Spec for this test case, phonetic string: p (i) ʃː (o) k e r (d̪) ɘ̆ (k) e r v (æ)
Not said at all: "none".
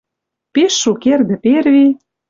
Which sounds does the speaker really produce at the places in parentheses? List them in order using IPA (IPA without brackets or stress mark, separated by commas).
e, u, d̪, p, i